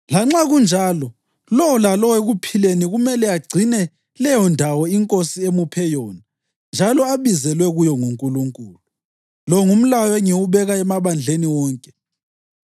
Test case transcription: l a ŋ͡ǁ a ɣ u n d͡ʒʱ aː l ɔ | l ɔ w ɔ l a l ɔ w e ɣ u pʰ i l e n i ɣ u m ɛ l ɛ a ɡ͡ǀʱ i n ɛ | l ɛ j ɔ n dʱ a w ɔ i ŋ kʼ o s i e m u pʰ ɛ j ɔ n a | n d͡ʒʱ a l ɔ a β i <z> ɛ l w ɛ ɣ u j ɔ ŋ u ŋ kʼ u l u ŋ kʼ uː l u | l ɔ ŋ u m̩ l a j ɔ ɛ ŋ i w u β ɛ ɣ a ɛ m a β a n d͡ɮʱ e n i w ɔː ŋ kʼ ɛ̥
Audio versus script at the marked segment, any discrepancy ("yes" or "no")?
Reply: no